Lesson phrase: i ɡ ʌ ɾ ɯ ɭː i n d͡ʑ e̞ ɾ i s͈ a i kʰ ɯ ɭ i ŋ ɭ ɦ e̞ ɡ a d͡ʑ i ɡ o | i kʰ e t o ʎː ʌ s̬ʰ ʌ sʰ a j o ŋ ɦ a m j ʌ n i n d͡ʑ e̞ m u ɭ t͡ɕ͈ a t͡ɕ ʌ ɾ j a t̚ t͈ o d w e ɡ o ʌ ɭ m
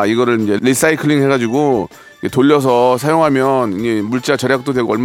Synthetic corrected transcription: i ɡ ʌ ɾ ɯ ɭ i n d͡ʑ e̞ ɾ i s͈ a i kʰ ɯ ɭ i ŋ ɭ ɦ e̞ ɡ a d͡ʑ i ɡ o | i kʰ e t o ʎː ʌ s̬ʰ ʌ sʰ a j o ŋ ɦ a m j ʌ n i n d͡ʑ e̞ m u ɭ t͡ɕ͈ a t͡ɕ ʌ ɾ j a k̚ t͈ o d w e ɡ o ʌ ɭ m